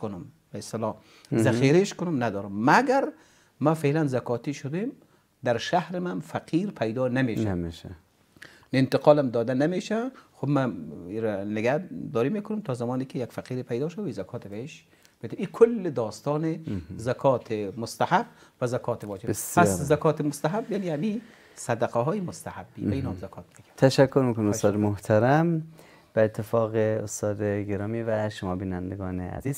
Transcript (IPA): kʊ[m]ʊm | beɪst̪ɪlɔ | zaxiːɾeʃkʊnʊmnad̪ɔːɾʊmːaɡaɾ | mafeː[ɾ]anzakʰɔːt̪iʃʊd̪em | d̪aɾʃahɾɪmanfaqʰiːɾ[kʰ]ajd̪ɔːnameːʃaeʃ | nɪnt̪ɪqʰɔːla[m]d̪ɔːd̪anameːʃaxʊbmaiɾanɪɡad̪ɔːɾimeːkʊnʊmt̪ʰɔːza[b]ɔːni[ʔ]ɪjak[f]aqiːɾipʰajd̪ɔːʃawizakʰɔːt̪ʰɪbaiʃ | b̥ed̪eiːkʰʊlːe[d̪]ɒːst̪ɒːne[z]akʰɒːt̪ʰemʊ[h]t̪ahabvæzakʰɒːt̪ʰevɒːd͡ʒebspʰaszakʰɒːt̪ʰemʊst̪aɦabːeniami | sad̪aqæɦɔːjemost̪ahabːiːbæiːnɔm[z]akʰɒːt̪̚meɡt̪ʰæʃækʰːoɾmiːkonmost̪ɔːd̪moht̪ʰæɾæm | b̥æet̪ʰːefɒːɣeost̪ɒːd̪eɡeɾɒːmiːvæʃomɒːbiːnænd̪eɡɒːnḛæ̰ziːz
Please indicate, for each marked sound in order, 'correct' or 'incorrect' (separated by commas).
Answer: incorrect, incorrect, incorrect, correct, incorrect, incorrect, correct, correct, correct, incorrect, correct